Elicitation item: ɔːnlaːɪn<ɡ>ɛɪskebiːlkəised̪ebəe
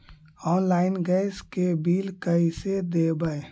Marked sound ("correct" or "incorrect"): correct